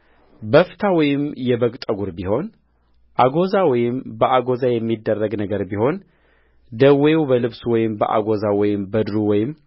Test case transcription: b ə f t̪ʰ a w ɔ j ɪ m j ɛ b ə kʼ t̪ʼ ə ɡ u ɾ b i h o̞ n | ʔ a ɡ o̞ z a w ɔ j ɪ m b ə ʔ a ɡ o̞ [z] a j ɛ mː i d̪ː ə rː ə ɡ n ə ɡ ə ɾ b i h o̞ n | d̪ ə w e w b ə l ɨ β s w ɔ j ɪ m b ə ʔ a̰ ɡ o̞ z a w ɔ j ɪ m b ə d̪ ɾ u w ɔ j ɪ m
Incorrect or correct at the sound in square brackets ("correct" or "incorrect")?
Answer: correct